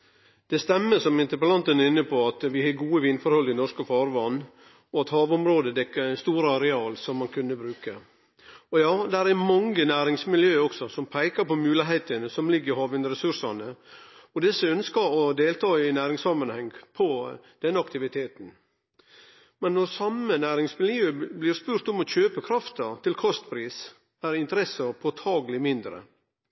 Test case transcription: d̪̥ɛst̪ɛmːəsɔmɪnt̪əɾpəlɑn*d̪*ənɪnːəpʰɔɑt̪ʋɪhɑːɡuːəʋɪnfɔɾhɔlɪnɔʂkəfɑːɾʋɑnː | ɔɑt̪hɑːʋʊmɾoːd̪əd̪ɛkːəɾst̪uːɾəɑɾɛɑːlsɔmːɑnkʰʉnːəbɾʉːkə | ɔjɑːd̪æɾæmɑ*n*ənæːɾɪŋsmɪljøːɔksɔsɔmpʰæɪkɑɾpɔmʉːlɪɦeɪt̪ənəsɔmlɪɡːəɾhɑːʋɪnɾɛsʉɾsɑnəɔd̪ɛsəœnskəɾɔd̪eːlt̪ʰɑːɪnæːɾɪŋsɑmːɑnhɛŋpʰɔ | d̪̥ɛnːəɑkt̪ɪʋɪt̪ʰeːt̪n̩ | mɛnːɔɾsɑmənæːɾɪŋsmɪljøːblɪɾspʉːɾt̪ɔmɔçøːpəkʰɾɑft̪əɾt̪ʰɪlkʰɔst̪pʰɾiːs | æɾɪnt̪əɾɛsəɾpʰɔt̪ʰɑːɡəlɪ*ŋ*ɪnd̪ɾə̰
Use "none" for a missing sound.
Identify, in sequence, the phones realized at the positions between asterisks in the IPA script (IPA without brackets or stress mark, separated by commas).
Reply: t̪, ŋ, m